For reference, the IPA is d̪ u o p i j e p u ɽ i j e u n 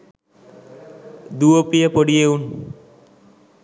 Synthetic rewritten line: d̪ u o p i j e p o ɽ i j e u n